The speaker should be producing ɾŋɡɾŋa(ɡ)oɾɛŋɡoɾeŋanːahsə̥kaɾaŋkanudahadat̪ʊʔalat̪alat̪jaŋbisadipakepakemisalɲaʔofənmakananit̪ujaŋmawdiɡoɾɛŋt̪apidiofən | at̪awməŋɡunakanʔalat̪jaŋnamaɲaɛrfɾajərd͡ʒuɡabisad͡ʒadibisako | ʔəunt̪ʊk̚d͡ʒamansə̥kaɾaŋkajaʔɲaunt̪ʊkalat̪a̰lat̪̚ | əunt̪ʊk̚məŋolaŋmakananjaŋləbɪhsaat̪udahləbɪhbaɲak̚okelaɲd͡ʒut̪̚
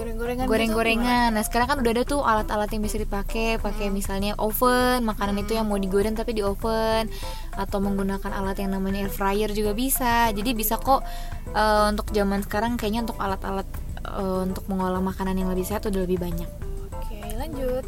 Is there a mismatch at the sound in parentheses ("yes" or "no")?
no